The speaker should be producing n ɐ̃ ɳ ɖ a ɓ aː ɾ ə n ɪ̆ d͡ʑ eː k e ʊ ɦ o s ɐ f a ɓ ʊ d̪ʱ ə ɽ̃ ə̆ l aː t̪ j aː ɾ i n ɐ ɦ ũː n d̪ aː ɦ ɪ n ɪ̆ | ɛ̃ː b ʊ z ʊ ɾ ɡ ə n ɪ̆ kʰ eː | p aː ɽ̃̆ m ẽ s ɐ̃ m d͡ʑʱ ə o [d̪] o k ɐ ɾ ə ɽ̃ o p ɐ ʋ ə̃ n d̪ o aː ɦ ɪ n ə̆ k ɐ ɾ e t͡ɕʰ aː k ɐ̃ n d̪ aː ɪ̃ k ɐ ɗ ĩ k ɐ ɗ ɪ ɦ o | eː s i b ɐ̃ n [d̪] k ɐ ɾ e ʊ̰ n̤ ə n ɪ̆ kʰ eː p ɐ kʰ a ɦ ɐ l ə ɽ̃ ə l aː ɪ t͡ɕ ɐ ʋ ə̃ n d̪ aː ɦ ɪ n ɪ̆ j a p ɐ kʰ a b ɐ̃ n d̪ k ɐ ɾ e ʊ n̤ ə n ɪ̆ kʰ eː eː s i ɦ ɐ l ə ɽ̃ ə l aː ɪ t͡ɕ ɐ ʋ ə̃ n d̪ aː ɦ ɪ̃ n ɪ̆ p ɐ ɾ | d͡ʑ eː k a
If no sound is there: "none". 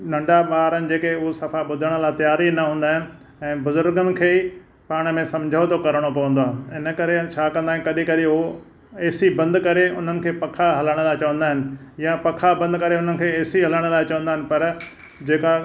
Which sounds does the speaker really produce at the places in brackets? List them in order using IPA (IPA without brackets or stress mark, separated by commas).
t̪, d̪